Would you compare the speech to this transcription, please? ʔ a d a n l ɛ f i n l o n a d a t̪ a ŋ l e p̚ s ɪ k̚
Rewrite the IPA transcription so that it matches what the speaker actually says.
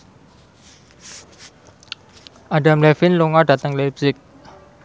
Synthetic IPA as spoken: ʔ a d a m l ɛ f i n l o ŋ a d a t̪ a ŋ l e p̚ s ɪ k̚